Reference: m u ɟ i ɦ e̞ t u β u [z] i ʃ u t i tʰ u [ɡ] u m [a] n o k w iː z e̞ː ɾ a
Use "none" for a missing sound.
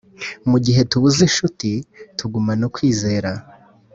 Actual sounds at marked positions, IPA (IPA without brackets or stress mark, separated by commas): z, ɡ, a